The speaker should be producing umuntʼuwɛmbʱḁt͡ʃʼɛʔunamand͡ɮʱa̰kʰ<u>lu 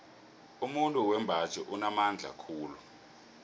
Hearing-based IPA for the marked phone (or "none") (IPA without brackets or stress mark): uː